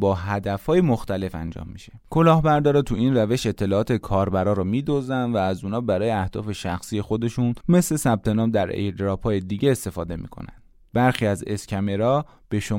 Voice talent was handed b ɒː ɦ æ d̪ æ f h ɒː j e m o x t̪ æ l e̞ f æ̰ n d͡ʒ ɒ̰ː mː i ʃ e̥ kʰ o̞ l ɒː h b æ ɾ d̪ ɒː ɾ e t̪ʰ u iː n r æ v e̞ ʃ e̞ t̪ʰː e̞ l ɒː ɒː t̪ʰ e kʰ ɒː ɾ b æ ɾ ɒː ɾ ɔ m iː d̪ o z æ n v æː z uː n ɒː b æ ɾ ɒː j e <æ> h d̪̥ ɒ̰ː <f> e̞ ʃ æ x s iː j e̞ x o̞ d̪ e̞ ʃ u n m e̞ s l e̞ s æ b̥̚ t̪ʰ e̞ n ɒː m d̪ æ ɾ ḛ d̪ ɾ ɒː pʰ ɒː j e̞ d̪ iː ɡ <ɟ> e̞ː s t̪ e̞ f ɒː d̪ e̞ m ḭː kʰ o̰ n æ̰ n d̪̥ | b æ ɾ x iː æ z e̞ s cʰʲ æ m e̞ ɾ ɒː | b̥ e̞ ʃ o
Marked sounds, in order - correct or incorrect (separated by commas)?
correct, correct, correct